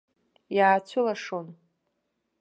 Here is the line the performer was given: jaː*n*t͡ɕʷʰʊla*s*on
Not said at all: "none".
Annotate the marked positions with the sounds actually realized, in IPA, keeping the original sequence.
none, ʂ

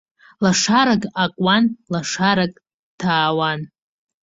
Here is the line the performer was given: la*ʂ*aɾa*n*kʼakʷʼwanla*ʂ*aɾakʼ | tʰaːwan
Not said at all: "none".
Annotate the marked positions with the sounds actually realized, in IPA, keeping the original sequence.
ʂ, none, ʂ

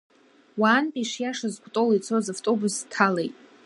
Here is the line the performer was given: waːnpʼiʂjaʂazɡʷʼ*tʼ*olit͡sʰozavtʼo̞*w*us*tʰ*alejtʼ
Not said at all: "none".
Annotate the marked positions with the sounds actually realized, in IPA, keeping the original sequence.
tʼ, b, tʰ

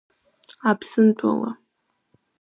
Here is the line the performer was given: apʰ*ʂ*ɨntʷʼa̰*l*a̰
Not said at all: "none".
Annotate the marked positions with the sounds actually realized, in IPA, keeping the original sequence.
s, l

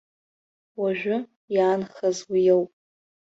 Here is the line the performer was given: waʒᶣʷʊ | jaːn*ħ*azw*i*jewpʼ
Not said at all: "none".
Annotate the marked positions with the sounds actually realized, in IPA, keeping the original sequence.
χ, i

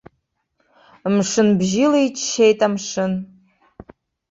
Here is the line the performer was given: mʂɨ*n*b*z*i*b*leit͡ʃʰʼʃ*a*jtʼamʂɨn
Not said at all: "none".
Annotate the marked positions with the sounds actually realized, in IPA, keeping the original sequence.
n, ʒ, none, e

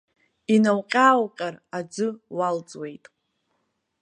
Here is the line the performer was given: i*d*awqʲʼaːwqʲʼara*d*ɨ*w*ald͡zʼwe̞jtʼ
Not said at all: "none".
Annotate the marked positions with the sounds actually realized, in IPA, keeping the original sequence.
n, d͡z, w

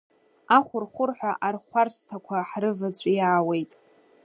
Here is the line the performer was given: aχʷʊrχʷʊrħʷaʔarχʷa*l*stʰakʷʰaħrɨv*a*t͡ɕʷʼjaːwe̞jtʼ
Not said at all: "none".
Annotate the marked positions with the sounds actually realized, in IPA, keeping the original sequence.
r, a

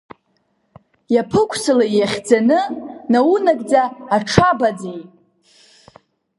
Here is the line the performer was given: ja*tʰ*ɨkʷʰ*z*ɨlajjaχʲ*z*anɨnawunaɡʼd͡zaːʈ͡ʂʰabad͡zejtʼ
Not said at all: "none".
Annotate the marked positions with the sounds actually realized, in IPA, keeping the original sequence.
pʰ, s, d͡z

